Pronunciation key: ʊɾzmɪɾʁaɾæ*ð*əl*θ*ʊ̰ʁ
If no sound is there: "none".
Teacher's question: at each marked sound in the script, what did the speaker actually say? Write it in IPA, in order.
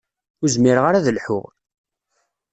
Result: ð, ħ

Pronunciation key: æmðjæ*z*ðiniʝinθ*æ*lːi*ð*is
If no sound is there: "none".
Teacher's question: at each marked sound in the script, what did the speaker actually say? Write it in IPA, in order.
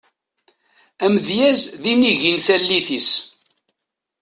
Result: z, æ, θ

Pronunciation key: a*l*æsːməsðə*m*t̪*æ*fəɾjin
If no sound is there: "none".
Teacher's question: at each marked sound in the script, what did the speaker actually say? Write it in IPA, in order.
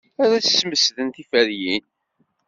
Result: ɾ, n, i

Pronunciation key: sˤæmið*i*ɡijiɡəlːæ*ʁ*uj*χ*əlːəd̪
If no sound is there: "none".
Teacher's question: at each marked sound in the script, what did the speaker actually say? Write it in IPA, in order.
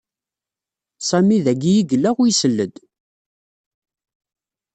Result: æ, ʁ, s

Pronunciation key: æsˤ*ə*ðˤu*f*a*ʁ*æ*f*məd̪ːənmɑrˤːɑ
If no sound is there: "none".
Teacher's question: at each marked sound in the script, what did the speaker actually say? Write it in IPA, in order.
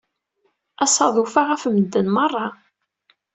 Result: ɑ, f, ʁ, f

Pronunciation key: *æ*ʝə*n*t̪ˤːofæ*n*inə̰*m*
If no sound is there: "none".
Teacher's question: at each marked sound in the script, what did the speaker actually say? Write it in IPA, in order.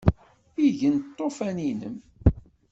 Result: i, n, n, m

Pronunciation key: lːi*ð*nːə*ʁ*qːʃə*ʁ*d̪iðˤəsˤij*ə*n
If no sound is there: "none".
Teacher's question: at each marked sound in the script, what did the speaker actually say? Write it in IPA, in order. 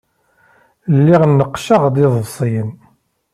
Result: ʁ, none, ʁ, ə

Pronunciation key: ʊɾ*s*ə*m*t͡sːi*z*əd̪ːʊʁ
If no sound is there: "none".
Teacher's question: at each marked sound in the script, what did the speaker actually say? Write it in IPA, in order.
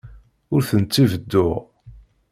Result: θ, n, v

